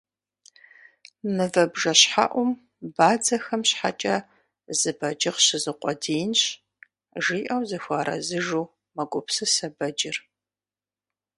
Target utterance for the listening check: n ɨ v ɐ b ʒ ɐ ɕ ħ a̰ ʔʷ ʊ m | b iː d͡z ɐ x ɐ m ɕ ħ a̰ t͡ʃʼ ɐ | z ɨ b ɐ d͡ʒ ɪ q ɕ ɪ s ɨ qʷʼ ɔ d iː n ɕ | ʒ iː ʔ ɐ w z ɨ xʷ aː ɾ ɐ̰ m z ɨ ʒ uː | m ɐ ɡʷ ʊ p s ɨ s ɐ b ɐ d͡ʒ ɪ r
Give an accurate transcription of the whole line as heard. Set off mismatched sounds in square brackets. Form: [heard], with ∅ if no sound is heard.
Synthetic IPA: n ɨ v ɐ b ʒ ɐ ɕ ħ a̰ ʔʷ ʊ m | b [aː] d͡z ɐ x ɐ m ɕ ħ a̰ t͡ʃʼ ɐ | z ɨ b ɐ d͡ʒ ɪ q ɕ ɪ [z] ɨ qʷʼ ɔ d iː n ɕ | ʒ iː ʔ ɐ w z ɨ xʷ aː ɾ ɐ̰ [∅] z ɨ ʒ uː | m ɐ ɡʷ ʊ p s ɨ s ɐ b ɐ d͡ʒ ɪ r